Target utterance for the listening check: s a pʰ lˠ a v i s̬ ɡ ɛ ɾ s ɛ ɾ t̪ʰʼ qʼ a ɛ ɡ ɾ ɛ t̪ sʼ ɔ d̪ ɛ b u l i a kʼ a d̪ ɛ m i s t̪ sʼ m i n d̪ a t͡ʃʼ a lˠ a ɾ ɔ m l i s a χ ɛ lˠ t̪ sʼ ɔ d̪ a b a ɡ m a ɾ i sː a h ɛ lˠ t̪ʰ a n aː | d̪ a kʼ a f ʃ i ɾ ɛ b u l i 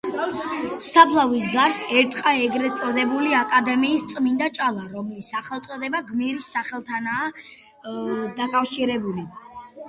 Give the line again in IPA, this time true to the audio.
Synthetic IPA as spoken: s a pʰ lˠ a v i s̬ ɡ a ɾ s ɛ ɾ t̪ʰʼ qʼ a ɛ ɡ ɾ ɛ t̪ sʼ ɔ d̪ ɛ b u l i a kʼ a d̪ ɛ m iː s t̪ sʼ m i n d̪ a t͡ʃʼ a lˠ a ɾ ɔ m l i s a χ ɛ lˠ t̪ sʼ ɔ d̪ ɛ b a ɡ m i ɾ i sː a χ ɛ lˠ t̪ʰ a n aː | d̪ a kʼ a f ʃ i ɾ ɛ b u l i